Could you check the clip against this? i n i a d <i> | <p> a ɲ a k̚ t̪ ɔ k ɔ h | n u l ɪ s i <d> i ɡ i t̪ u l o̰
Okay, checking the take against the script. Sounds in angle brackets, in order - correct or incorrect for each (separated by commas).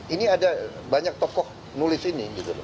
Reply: incorrect, incorrect, incorrect